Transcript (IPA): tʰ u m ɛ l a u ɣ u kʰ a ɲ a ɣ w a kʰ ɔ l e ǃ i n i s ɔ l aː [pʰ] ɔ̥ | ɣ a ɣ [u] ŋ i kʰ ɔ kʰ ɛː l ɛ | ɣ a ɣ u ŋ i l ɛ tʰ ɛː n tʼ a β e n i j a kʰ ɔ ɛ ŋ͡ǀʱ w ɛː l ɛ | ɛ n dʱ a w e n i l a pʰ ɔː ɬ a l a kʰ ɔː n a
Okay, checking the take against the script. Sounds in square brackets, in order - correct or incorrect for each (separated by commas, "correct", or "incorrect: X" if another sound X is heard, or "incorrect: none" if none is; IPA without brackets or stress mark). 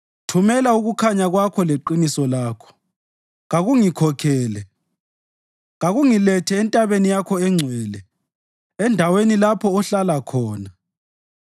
incorrect: kʰ, correct